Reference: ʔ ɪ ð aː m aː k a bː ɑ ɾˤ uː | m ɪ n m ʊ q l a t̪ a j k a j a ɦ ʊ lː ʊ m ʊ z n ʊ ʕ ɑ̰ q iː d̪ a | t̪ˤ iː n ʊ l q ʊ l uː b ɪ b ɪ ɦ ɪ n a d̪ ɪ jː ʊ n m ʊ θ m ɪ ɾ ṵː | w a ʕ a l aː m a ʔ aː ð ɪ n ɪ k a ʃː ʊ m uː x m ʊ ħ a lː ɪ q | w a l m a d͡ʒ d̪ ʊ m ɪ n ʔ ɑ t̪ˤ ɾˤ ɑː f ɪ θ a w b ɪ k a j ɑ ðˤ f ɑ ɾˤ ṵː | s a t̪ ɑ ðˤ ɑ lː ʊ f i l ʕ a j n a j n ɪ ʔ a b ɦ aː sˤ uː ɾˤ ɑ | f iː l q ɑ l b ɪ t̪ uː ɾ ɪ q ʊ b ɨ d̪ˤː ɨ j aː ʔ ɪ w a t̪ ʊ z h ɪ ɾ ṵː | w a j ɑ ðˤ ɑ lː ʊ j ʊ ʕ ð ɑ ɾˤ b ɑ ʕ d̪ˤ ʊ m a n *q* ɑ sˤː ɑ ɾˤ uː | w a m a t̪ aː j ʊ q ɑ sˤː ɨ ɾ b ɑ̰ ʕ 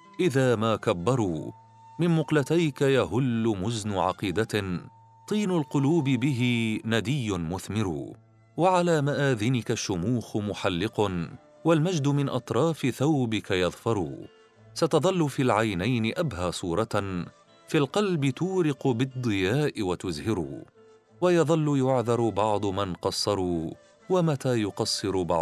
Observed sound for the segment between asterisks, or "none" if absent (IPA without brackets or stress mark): q